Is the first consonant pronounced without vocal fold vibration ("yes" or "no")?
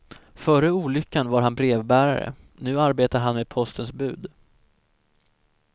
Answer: yes